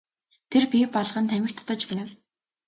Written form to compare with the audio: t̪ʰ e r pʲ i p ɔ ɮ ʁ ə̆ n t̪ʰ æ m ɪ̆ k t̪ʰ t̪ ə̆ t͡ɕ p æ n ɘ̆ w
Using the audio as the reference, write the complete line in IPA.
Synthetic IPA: t̪ʰ e r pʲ i p ɔ ɮ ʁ ə̆ n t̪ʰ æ m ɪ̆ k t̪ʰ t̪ ə̆ t͡ɕ p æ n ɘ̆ w